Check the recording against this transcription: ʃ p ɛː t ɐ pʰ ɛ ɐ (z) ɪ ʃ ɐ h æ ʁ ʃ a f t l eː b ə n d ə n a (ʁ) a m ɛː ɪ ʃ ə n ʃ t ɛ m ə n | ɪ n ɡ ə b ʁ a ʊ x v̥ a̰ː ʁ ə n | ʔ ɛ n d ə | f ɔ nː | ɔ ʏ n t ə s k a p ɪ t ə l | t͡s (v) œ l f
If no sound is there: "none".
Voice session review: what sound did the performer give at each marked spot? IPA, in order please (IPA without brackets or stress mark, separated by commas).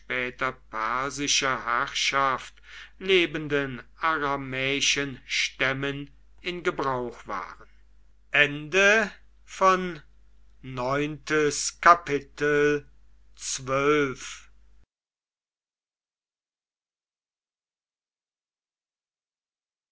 z, ʁ, v